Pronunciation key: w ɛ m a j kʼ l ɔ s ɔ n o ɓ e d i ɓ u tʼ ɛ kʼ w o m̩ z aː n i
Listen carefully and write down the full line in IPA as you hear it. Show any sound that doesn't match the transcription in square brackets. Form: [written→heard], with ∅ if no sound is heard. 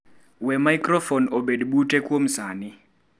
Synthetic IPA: w ɛ m a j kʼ [l→r] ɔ [s→f] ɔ n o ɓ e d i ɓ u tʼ ɛ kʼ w o m̩ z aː n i